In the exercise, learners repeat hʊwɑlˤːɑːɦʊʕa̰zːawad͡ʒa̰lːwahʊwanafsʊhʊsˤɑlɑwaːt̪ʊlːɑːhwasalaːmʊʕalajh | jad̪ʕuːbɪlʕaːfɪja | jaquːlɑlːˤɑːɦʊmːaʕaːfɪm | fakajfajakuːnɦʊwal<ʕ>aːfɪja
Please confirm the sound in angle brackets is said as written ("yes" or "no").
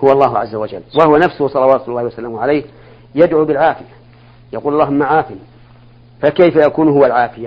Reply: yes